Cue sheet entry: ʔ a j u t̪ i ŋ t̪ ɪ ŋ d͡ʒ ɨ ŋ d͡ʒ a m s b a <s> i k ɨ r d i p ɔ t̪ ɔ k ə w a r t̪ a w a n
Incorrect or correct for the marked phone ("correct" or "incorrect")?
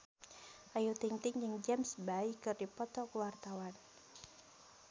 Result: incorrect